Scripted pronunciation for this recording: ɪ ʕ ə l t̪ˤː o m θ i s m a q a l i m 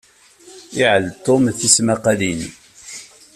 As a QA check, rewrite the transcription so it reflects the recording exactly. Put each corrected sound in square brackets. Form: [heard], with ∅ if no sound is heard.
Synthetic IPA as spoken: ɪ ʕ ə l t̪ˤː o m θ i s m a q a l i [n]